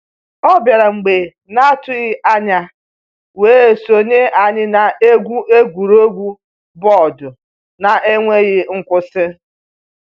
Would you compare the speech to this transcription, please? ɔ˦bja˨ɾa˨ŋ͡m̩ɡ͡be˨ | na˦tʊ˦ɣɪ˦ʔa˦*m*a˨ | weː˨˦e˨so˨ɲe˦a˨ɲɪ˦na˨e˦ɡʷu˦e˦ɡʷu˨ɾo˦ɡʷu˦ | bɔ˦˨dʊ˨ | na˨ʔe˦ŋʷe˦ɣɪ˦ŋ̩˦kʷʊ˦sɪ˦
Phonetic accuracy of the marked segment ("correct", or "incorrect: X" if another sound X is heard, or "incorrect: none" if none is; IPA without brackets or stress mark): incorrect: ɲ